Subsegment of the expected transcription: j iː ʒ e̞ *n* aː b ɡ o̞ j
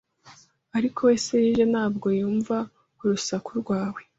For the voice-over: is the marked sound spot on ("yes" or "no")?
yes